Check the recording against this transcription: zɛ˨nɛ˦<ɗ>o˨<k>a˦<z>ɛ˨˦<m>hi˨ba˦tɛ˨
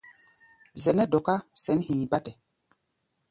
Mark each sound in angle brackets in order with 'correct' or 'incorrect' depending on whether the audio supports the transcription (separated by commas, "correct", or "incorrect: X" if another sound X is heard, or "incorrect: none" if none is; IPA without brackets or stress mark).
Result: incorrect: d, correct, incorrect: s, incorrect: n